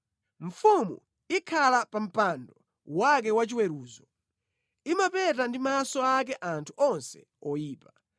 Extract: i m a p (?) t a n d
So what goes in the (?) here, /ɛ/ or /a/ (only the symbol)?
ɛ